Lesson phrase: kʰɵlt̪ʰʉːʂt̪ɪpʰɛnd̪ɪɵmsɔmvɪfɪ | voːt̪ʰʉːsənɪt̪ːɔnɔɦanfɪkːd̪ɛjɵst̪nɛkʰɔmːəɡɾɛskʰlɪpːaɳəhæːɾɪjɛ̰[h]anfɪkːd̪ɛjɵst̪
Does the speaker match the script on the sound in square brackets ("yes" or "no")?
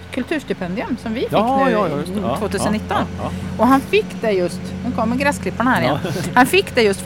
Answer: yes